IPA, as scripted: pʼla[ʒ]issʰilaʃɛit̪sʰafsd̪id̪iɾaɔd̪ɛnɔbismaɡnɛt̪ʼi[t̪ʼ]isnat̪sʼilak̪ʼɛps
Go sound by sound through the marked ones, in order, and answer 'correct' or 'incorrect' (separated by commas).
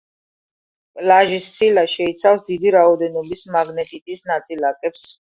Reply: correct, correct